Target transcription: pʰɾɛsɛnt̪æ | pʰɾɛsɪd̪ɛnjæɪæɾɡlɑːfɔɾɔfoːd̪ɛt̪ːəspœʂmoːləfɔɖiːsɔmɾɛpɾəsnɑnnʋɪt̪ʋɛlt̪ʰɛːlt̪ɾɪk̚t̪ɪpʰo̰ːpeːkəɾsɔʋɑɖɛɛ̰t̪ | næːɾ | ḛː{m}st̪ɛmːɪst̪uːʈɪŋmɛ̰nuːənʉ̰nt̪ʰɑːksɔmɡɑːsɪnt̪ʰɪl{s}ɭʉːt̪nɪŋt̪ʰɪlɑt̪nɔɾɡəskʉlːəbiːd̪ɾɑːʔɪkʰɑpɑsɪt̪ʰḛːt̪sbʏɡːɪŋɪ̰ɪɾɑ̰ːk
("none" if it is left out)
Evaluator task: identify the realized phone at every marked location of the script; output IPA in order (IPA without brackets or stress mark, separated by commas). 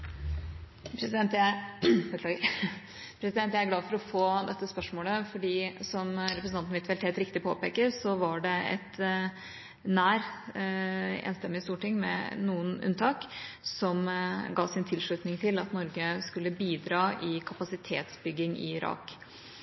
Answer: n, ʂ